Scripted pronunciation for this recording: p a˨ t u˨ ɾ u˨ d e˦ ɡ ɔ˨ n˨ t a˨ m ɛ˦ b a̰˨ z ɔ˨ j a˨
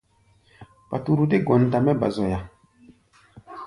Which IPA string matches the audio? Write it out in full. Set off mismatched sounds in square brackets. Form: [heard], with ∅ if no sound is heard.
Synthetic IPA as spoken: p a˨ t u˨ ɾ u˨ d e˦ ɡ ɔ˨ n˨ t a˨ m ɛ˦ b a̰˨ z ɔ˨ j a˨